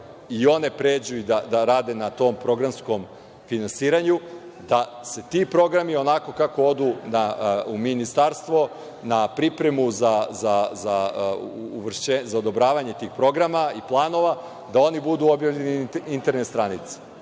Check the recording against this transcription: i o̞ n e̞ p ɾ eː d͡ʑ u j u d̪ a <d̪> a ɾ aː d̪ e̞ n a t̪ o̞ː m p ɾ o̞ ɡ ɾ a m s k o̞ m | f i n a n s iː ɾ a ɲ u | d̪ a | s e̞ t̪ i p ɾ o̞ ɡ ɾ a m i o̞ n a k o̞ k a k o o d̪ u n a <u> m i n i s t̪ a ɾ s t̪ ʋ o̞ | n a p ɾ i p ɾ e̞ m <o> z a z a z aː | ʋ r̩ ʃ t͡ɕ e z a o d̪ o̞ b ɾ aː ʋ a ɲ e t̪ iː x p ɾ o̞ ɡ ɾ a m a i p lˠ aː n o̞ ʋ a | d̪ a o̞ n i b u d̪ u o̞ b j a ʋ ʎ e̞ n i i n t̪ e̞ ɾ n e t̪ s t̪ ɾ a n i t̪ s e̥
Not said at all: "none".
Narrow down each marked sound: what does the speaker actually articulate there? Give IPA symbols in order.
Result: d̪, u, u

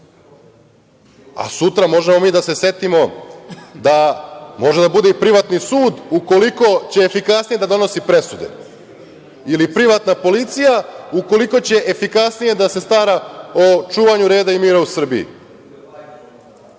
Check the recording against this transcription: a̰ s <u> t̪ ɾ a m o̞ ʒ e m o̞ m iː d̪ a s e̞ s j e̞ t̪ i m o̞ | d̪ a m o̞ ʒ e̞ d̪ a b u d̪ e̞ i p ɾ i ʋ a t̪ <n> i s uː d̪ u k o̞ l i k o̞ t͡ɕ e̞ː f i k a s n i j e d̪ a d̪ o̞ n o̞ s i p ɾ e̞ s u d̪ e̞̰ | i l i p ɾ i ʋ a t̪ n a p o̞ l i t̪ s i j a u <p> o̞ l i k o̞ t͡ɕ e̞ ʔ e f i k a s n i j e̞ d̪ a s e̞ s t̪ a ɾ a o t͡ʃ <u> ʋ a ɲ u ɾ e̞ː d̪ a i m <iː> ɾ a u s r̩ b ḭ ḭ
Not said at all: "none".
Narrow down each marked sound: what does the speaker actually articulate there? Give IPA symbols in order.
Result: u, n, k, uː, iː

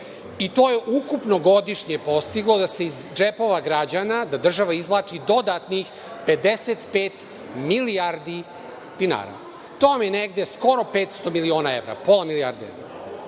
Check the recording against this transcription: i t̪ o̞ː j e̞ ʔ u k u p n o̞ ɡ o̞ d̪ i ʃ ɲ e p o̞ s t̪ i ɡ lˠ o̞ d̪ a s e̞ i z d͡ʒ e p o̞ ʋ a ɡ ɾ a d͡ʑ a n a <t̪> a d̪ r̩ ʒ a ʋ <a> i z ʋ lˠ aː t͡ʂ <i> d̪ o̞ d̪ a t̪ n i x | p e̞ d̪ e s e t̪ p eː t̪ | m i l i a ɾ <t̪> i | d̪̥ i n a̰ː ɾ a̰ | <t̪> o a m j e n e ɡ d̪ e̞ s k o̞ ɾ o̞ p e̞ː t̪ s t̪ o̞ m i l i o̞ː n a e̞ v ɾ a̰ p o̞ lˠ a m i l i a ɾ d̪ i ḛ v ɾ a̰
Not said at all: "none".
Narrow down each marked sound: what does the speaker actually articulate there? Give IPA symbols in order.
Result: d̪, a, i, d̪, t̪

